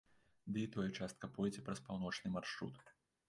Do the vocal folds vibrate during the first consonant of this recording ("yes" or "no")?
yes